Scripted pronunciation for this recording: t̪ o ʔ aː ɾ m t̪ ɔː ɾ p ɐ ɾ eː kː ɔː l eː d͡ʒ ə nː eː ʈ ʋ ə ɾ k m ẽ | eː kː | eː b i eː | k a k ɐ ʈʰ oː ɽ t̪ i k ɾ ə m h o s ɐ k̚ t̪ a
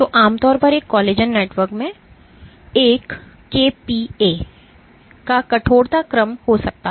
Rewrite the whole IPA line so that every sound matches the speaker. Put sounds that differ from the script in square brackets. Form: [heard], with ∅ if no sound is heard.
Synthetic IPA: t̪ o ʔ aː [∅] m t̪ ɔː ɾ p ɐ ɾ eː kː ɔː l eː d͡ʒ ə nː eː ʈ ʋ ə ɾ k m ẽ | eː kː | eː [p] i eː | k a k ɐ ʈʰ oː ɽ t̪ [a] k ɾ ə m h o s ɐ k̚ t̪ a